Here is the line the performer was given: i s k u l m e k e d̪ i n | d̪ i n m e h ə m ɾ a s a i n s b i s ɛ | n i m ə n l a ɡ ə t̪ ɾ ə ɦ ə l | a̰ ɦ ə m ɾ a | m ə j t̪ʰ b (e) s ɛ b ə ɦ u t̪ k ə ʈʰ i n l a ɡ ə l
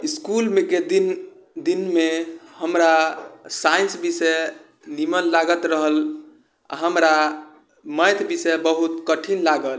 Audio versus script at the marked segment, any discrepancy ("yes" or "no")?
yes